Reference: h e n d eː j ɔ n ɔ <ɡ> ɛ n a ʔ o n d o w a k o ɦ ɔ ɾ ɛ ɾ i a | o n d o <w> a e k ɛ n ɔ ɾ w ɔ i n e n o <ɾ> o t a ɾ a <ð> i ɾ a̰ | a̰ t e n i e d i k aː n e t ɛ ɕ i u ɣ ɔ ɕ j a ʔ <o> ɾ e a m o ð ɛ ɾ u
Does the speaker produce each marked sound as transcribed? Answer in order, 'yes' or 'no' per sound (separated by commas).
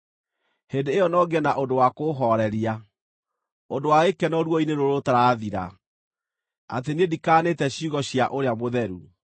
yes, yes, yes, yes, yes